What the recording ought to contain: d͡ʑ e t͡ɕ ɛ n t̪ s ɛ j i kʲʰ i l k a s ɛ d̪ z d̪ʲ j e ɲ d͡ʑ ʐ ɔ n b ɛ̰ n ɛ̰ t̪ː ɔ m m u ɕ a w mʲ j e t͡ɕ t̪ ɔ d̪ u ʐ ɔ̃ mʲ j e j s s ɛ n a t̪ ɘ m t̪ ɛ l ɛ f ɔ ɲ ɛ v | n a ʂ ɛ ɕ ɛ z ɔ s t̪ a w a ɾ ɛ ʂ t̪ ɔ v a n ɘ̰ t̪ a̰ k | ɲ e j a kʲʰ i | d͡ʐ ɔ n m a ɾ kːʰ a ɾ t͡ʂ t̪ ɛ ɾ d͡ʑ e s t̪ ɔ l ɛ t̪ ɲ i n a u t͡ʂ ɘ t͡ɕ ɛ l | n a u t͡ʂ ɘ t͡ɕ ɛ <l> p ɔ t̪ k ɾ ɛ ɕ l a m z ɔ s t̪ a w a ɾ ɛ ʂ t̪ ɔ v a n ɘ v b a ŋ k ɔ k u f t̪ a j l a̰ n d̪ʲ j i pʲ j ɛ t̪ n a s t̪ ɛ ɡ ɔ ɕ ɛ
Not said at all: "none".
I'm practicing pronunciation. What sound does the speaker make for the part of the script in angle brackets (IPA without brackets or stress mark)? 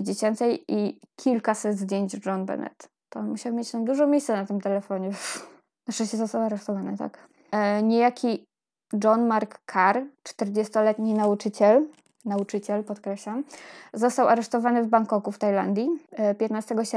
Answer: l